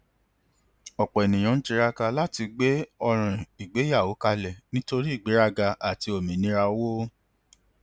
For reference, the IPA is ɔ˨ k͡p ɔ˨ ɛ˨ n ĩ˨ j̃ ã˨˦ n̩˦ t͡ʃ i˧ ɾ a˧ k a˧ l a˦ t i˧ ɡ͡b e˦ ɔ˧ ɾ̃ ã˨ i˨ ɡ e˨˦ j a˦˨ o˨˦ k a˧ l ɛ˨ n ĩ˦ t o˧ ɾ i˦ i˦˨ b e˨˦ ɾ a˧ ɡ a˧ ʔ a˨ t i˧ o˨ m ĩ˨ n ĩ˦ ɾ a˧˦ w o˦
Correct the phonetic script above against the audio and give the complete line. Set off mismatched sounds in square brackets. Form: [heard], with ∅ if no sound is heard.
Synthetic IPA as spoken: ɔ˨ k͡p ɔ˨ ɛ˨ n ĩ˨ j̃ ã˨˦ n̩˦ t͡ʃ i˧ ɾ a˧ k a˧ l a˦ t i˧ ɡ͡b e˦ ɔ˧ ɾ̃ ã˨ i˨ [ɡ͡b] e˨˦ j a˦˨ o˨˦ k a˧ l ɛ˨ n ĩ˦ t o˧ ɾ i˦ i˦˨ [ɡ͡b] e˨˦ ɾ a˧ ɡ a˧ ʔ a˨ t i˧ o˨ m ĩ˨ n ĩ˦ ɾ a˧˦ w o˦